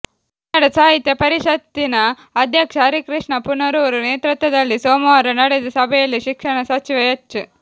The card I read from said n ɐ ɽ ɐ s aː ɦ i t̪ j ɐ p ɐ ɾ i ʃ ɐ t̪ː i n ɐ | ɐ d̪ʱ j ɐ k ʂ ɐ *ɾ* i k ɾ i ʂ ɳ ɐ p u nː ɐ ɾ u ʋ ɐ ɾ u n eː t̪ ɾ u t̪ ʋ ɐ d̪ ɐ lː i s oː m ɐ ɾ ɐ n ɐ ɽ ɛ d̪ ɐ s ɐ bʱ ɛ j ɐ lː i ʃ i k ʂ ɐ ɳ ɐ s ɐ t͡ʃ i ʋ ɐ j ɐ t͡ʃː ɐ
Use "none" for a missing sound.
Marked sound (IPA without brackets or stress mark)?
ɾ